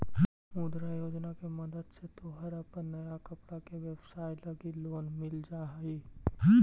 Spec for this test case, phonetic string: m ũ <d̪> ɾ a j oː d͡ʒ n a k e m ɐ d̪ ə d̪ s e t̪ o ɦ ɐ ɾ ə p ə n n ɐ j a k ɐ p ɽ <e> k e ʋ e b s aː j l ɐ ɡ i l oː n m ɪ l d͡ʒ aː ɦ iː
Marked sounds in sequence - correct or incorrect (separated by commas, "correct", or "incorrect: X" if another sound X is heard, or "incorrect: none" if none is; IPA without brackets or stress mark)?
correct, incorrect: a